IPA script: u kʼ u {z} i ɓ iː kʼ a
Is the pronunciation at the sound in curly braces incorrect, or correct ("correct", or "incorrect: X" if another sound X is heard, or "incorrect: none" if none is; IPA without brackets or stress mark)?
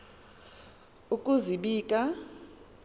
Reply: correct